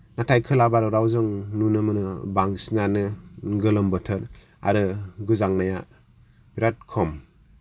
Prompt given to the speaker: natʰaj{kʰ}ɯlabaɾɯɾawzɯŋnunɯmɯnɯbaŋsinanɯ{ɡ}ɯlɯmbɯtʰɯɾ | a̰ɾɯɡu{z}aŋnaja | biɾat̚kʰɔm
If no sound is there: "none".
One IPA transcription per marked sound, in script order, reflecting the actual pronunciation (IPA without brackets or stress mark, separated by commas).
kʰ, ɡ, z